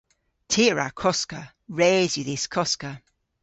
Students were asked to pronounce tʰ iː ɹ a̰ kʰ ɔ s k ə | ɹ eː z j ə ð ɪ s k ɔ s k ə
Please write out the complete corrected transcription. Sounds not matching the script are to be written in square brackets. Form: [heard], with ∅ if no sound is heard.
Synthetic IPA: tʰ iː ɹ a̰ kʰ ɔ s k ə | ɹ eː z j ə ð ɪ s [kʰ] ɔ s k ə